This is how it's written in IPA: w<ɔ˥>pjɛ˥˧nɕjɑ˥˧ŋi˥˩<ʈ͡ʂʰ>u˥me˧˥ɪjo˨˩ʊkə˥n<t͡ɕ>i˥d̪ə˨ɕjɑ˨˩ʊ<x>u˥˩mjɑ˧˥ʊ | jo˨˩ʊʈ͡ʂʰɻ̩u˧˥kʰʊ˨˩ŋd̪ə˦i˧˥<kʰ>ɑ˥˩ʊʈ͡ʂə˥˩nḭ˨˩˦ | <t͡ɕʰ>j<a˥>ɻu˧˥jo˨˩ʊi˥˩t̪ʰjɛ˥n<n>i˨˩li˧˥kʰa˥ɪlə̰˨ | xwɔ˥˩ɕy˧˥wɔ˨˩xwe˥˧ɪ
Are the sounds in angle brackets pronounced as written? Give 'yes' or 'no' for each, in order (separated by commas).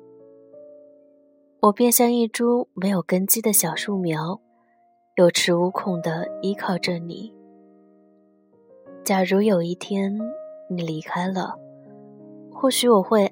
no, no, yes, no, yes, no, no, yes